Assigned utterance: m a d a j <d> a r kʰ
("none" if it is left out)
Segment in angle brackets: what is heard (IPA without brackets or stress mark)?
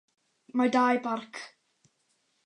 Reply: b